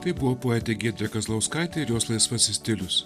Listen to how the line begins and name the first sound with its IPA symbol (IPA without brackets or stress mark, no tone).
t̪